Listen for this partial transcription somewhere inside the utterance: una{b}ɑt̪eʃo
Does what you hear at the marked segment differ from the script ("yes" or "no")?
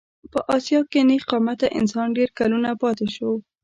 yes